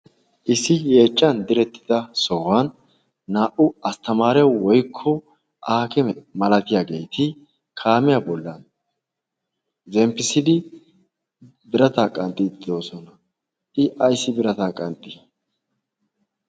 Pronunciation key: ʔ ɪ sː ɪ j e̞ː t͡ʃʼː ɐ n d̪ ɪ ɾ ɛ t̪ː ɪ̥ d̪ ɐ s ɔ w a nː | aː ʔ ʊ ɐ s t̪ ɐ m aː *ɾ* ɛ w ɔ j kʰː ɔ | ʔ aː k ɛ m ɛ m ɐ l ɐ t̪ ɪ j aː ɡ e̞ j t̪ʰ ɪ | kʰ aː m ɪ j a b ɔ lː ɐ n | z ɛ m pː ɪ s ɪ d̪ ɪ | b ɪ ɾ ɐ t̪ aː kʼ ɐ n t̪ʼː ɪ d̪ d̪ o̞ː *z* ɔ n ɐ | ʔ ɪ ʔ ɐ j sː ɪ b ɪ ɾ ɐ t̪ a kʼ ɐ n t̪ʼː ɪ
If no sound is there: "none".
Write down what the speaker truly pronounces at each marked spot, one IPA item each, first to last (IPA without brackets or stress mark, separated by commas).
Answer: ɾ, s